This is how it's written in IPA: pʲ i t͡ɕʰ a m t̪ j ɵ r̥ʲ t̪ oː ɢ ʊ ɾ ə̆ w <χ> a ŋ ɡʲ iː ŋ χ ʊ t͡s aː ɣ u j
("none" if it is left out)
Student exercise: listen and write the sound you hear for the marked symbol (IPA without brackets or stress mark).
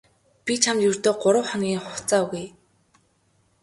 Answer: χ